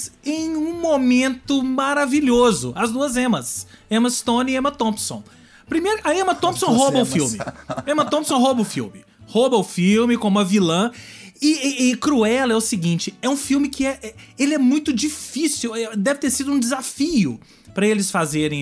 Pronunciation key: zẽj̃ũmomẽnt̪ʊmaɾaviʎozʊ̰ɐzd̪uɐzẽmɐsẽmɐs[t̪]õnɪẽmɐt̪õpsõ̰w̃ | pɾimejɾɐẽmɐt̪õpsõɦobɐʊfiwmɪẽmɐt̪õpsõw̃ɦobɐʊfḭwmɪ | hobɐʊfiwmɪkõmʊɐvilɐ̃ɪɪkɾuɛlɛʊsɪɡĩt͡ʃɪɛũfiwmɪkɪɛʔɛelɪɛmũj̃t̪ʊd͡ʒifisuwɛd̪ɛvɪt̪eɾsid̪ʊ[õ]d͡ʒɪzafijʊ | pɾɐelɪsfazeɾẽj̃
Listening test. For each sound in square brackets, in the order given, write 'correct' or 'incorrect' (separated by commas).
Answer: correct, incorrect